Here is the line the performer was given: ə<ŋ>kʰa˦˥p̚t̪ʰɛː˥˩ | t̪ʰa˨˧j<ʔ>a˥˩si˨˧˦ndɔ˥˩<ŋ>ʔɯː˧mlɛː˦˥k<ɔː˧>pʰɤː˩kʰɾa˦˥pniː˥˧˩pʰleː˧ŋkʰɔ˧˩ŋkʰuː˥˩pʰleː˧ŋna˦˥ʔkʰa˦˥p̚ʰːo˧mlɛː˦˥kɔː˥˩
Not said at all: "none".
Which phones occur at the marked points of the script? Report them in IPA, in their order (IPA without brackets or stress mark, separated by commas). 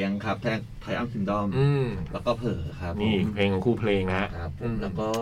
ŋ, ʔ, m, ɔː˥˩